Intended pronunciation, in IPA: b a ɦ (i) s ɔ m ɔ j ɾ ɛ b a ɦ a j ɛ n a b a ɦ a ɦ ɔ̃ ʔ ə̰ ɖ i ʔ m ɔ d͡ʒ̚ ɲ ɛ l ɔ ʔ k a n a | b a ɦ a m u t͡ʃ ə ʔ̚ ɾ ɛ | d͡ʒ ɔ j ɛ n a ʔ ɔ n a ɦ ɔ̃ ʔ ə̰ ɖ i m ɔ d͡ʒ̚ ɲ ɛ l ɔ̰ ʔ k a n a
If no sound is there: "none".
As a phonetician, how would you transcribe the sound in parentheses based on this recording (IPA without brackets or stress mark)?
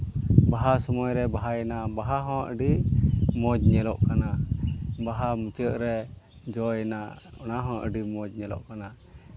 a